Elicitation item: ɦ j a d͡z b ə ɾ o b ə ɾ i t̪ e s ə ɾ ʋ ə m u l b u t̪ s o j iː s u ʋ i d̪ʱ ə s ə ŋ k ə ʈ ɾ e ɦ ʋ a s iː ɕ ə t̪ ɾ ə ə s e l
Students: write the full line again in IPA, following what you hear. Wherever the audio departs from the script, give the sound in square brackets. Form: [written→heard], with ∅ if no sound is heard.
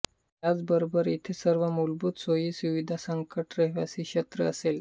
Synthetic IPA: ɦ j a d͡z b ə ɾ o b ə ɾ i [t̪→t̪ʰ] e s ə ɾ ʋ ə m u l b u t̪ s o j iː s u ʋ i d̪ʱ [ə→a] s ə ŋ k ə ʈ ɾ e ɦ ʋ a s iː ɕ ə t̪ ɾ ə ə s e l